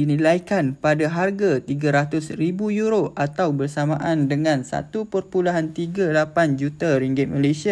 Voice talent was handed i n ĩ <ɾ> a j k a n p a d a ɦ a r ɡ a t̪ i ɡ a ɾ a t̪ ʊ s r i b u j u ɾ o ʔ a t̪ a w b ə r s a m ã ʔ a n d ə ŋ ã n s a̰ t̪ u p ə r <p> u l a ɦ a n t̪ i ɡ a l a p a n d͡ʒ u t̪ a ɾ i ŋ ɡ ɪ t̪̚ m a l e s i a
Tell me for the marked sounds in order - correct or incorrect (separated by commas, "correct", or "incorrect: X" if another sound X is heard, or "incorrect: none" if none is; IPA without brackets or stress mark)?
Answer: incorrect: l, correct